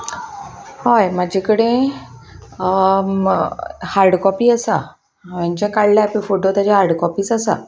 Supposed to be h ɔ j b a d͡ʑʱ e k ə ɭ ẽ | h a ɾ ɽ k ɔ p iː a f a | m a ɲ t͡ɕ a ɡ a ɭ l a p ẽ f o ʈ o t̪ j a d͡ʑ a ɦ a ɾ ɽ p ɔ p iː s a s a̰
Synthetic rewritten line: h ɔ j m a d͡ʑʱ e k ə ɽ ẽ | h a ɾ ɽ k ɔ p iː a s a | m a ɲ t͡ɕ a k a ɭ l a p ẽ f o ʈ o t̪ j a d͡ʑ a ɦ a ɾ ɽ k ɔ p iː s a s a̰